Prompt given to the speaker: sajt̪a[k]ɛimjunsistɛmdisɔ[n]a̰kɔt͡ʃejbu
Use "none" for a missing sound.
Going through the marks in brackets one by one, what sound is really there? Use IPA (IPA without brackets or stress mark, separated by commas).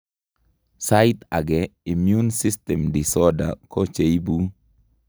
ɡ, d